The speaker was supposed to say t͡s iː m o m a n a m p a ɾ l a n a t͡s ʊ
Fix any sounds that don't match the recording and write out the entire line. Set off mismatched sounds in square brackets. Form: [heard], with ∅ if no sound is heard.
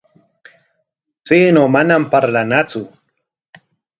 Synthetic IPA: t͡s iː [n] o m a n a m p a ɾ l a n a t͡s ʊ